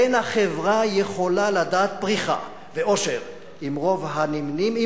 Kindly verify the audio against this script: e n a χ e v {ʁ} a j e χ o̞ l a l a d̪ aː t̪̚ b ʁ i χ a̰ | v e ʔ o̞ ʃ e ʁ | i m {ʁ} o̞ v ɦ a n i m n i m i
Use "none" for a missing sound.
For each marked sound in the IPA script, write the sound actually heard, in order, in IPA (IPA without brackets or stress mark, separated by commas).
ʁ, ʁ